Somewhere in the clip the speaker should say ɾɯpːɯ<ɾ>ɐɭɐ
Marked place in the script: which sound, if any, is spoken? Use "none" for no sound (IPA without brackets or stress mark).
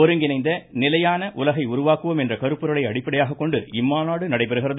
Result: ɾ